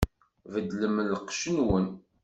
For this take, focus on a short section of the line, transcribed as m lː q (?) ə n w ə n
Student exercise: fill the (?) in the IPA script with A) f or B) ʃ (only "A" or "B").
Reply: B